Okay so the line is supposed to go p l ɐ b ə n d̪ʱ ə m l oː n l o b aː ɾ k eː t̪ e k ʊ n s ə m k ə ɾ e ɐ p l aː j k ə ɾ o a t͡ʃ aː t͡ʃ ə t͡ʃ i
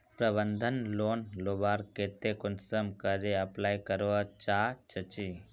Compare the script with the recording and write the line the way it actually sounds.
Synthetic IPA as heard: p ɾ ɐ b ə n d̪ʱ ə n l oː n l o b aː ɾ k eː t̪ e k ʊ n s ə m k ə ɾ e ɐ p l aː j k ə ɾ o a t͡ʃ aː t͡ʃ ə t͡ʃ i